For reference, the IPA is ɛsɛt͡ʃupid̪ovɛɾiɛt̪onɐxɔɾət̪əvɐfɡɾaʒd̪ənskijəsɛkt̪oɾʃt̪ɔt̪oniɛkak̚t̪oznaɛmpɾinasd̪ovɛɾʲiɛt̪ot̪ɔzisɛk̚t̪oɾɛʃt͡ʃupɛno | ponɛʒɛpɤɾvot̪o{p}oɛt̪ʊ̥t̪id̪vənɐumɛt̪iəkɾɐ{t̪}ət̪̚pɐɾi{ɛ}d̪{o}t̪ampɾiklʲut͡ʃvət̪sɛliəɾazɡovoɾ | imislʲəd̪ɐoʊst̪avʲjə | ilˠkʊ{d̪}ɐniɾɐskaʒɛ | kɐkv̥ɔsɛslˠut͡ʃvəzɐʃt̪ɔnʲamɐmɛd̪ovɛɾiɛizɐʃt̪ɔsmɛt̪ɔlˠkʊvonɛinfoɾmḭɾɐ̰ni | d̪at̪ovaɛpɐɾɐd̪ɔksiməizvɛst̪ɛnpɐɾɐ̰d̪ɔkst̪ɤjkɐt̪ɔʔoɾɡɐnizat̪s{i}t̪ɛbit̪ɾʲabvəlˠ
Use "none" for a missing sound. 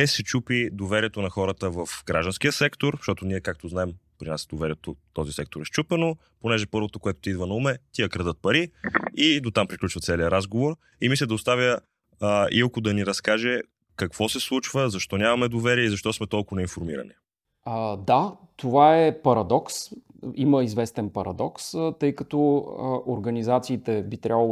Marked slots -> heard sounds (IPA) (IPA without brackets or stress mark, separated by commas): k, d̪, i, o, d̪, iː